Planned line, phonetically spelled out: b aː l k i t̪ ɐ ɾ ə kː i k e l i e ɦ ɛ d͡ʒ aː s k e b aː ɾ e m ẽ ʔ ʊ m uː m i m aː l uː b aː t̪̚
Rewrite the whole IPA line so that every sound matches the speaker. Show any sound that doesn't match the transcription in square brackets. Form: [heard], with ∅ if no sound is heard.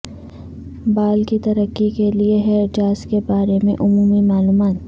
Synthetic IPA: b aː l k i t̪ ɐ ɾ ə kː i k e l i e ɦ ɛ d͡ʒ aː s k e b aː ɾ e m ẽ ʔ ʊ m uː m i m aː l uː [m] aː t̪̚